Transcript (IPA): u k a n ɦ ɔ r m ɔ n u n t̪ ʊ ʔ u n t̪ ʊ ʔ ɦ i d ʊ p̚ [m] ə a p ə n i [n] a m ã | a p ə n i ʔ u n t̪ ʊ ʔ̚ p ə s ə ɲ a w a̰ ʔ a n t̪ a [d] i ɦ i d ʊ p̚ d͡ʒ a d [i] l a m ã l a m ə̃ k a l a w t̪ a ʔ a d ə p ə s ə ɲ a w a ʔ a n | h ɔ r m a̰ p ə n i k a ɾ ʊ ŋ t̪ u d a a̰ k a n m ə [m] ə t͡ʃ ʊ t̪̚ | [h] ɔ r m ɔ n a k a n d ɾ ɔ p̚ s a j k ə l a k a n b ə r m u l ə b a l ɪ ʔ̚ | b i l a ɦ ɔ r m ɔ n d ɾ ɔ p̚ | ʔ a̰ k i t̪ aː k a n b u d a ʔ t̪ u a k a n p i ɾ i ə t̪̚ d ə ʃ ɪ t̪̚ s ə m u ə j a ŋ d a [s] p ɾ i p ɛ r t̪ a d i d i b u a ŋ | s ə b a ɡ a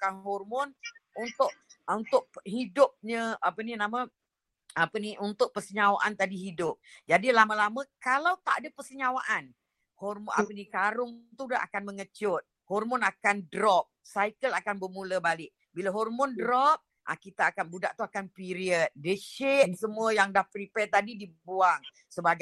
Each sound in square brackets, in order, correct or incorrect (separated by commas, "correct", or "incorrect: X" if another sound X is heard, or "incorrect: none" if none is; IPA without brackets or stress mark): incorrect: ɲ, correct, correct, correct, incorrect: ŋ, correct, incorrect: h